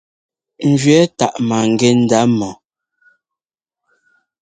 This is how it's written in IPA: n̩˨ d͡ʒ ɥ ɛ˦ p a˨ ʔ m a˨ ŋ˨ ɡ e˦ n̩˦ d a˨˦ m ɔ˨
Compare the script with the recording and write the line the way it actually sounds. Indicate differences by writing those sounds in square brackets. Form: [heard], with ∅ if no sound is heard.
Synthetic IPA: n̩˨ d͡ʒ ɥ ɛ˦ [t] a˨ ʔ m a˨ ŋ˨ ɡ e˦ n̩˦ d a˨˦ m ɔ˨

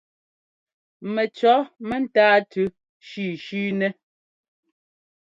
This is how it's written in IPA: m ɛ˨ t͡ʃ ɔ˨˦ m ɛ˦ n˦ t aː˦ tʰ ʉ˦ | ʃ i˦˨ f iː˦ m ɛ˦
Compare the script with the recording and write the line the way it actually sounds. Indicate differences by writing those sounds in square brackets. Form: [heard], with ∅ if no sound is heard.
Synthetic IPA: m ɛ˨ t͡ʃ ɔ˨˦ m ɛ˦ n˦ t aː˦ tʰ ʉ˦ | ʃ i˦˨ [ʃ] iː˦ [n] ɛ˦

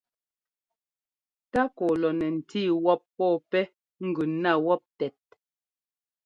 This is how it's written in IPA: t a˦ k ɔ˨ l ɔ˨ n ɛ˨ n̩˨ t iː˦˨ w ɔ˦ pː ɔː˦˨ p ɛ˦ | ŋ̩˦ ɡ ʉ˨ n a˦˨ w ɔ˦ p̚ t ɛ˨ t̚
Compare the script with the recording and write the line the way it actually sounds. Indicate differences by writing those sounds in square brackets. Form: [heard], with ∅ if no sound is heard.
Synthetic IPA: t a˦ k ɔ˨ l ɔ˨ n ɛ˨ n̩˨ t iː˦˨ w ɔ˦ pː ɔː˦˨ p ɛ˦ | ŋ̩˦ ɡ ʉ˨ n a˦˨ w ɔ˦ p̚ t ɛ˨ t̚

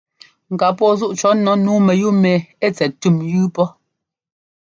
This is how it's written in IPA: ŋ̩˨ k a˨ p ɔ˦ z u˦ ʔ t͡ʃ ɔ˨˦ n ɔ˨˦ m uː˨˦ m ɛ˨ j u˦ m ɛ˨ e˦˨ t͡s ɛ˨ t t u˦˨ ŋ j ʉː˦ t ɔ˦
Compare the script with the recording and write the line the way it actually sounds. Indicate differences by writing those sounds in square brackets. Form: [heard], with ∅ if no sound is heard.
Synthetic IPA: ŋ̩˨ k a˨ p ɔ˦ z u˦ ʔ t͡ʃ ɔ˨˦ n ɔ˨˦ [n] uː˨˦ m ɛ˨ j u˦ m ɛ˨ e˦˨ t͡s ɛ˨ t t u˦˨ [m] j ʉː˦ [p] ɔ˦

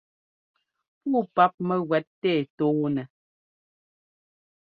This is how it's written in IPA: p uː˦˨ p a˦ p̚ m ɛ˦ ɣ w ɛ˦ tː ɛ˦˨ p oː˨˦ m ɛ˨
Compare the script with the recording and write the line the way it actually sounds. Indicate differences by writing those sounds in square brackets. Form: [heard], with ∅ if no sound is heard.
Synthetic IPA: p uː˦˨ p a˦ p̚ m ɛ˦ ɣ w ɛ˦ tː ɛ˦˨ [t] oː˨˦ [n] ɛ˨

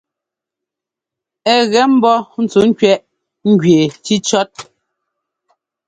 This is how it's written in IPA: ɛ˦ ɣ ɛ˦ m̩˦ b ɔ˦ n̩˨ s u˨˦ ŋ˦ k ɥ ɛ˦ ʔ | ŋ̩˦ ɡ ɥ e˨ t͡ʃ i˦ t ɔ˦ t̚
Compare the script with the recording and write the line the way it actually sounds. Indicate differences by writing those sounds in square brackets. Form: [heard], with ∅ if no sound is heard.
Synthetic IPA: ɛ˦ ɣ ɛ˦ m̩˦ b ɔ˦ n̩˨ [t͡s] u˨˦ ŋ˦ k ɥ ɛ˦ ʔ | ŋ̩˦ ɡ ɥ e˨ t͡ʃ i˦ [t͡ʃ] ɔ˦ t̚

